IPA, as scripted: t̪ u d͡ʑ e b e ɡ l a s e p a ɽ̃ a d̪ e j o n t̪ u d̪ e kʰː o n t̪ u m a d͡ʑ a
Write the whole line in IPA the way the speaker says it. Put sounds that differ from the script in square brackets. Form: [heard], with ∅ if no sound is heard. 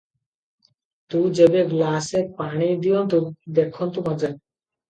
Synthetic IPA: t̪ u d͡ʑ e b e ɡ l a s e p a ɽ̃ [i] d̪ [i] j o n t̪ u d̪ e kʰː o n t̪ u m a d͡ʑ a